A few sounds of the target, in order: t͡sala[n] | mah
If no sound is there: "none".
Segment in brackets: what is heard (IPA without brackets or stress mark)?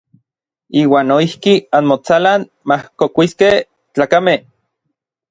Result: n